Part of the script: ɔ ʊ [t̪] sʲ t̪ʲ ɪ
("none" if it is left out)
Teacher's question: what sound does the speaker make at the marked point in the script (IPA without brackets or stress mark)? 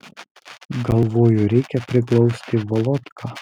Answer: none